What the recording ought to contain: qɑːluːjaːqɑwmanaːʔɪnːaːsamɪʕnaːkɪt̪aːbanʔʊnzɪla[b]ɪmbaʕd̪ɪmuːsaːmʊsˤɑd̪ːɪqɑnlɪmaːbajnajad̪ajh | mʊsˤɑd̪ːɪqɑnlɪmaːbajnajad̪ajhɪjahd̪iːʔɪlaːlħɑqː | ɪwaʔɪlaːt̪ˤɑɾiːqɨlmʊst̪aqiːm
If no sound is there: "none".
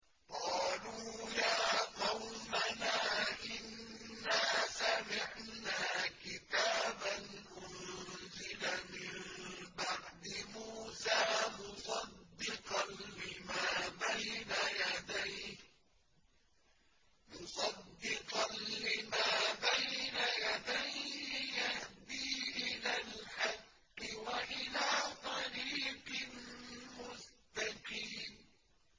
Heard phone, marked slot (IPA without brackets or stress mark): m